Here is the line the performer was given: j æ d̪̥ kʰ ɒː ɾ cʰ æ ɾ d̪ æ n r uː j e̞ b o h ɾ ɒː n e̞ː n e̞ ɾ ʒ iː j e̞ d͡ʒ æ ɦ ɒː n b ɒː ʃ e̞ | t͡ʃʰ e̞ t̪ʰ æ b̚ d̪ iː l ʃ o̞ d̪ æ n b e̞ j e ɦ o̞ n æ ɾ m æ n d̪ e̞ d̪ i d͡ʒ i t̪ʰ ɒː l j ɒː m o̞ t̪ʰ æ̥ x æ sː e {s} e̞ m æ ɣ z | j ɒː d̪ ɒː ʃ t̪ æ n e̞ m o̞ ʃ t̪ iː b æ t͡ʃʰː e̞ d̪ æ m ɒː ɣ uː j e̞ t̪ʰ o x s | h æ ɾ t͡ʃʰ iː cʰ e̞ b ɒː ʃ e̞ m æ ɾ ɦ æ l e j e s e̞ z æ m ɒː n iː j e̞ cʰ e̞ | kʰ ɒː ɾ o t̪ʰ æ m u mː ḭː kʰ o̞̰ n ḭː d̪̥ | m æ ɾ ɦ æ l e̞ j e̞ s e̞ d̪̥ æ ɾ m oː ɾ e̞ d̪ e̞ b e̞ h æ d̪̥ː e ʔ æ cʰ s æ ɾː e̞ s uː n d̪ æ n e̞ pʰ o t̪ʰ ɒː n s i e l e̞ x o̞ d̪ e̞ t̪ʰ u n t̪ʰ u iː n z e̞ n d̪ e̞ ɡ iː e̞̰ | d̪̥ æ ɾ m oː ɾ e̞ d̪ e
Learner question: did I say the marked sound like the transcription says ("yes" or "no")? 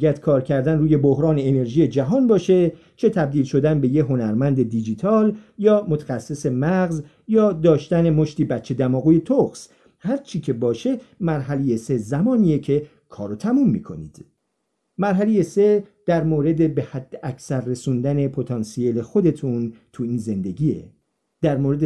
yes